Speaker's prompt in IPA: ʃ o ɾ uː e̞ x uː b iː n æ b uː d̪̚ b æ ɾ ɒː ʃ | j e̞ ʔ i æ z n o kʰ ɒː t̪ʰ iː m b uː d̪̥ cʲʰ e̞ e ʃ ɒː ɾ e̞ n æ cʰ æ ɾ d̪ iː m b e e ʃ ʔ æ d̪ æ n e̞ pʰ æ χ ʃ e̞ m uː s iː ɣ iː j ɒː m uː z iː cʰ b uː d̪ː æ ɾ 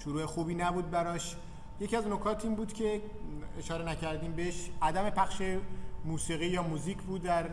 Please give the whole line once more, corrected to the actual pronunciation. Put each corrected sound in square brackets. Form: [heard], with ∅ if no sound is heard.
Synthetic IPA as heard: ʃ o ɾ uː e̞ x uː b iː n æ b uː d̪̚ b æ ɾ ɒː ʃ | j e̞ [c] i æ z n o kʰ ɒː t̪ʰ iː m b uː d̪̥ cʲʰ e̞ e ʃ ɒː ɾ e̞ n æ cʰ æ ɾ d̪ iː m b e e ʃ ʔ æ d̪ æ [m] e̞ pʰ æ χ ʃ e̞ m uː s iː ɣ iː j ɒː m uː z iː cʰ b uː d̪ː æ ɾ